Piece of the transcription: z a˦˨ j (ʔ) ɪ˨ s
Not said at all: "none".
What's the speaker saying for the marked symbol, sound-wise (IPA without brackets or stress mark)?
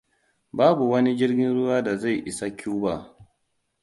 ʔ